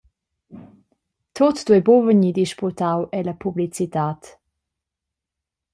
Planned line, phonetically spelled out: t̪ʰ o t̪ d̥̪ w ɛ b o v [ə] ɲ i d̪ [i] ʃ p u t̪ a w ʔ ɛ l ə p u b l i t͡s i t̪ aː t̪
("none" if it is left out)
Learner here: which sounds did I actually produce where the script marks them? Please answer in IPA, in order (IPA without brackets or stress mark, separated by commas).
ə, i